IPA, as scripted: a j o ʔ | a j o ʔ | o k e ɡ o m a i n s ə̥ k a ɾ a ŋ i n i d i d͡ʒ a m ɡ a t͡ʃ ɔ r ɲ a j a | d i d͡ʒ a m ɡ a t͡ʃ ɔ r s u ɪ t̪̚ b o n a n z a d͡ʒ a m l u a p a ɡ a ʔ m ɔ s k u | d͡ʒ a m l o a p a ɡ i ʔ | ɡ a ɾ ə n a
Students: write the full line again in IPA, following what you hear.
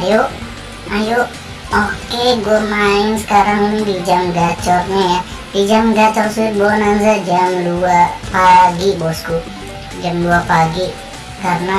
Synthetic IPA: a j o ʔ | a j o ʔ | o k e ɡ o m a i n s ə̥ k a ɾ a ŋ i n i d i d͡ʒ a m ɡ a t͡ʃ ɔ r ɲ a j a | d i d͡ʒ a m ɡ a t͡ʃ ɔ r s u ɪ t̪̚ b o n a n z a d͡ʒ a m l u a p a ɡ i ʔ b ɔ s k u | d͡ʒ a m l u a p a ɡ i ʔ | k a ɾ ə n a